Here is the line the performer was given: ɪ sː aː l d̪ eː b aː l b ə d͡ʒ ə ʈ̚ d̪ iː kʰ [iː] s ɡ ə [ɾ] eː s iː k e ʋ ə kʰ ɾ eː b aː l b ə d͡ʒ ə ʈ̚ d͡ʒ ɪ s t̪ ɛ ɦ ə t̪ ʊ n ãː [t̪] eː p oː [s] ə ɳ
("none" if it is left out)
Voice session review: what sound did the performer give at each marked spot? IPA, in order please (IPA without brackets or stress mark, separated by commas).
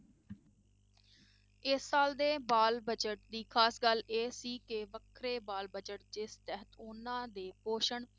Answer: aː, l, d̪, ʃ